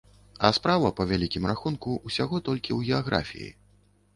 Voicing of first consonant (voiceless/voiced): voiceless